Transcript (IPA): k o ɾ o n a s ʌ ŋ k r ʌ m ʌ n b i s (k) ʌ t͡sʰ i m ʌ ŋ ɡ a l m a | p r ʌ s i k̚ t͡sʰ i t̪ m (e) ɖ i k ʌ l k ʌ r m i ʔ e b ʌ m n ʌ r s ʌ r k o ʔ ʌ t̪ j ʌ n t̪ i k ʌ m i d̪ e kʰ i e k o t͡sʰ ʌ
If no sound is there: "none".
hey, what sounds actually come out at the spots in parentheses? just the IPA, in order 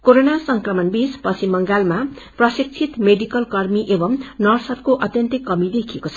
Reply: p, e

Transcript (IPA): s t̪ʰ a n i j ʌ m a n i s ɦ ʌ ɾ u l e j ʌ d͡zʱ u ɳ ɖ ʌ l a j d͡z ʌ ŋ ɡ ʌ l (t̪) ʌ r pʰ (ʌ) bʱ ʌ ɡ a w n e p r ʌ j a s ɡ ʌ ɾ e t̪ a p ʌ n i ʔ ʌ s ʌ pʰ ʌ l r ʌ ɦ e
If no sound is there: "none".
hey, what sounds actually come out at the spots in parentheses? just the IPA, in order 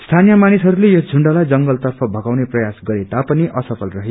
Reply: t̪, ʌ

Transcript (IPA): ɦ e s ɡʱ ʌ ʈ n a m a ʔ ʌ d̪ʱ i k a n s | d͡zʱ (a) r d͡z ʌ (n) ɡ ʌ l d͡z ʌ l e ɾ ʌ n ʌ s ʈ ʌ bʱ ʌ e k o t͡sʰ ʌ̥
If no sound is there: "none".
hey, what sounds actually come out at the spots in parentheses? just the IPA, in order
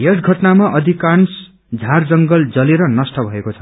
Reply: a, ŋ

